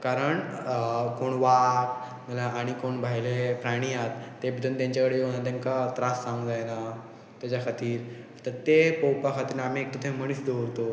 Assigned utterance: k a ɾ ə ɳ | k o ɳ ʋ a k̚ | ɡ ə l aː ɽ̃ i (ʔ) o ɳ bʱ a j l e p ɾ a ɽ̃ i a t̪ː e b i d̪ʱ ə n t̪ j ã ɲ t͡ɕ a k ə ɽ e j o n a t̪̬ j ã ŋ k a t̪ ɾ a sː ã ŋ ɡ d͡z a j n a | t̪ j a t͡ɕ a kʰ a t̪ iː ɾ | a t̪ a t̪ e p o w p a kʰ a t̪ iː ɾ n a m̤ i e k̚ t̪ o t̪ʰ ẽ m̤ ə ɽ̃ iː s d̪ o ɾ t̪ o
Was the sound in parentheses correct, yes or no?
no